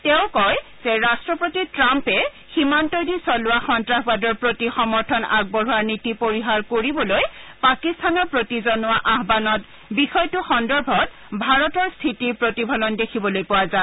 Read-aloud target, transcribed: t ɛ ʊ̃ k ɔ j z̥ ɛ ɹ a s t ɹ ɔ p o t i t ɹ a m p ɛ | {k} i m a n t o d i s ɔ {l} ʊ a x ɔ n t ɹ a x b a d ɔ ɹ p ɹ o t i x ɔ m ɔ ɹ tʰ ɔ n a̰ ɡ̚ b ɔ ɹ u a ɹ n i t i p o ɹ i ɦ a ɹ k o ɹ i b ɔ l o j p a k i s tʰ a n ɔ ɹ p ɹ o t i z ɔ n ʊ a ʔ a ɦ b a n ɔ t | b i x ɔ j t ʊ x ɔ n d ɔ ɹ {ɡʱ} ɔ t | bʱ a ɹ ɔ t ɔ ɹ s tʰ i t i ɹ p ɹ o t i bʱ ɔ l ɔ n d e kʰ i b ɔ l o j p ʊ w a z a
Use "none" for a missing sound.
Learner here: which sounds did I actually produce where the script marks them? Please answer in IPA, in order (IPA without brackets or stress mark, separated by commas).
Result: x, l, bʱ